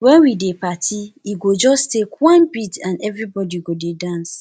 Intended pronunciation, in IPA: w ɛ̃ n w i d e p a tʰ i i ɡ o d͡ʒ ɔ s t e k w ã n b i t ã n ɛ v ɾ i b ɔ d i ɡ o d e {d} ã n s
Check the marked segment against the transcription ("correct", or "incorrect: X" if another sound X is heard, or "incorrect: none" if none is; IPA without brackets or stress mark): correct